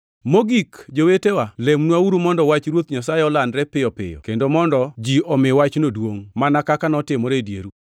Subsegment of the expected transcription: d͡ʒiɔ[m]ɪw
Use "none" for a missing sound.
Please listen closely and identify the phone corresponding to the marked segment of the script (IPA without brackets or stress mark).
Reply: m